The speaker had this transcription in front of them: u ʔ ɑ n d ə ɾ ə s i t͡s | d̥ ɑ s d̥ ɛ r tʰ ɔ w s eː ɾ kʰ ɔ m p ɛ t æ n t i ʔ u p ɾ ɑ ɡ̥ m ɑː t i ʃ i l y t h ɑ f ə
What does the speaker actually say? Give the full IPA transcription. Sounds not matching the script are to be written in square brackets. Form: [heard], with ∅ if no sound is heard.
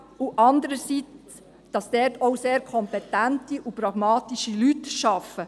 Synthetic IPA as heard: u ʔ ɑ n d ə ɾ ə s i t͡s | d̥ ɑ s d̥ ɛ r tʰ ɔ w s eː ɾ kʰ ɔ m p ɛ t æ n t i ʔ u p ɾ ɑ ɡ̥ m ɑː t i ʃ i l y t [ʃ] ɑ f ə